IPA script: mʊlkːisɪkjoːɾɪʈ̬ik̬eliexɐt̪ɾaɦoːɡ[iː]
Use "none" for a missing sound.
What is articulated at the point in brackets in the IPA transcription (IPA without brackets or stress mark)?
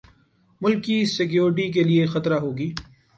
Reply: iː